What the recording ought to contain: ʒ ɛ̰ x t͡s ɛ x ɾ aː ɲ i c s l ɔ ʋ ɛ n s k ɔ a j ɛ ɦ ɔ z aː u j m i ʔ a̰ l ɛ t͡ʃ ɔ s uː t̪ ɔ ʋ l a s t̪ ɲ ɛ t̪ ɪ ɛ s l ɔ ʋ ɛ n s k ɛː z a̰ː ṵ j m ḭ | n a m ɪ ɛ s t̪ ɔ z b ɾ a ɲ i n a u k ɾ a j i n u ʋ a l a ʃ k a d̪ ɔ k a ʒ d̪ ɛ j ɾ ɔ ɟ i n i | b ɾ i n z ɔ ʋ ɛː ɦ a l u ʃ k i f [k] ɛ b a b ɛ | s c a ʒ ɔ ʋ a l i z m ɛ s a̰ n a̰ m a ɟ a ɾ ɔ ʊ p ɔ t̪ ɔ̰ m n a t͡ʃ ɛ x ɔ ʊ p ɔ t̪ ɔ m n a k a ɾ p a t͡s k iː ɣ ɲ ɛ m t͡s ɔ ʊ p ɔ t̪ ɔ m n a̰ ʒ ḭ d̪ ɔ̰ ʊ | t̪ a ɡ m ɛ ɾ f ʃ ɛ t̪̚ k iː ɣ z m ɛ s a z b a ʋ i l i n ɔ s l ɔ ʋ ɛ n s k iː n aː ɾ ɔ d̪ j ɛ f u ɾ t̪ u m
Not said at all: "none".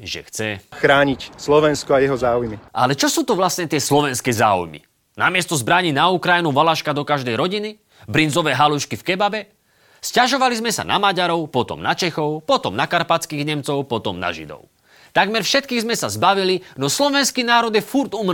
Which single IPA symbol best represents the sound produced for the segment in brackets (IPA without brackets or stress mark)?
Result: k